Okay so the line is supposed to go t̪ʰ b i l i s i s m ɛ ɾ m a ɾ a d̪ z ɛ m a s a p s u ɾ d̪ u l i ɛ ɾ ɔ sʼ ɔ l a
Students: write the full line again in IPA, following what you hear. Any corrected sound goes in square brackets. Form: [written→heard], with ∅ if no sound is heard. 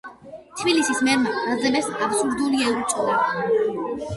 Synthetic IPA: t̪ʰ b i l i s i s m ɛ ɾ m a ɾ a d̪ z ɛ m [a→ɛ] s a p s u ɾ d̪ u l i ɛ ɾ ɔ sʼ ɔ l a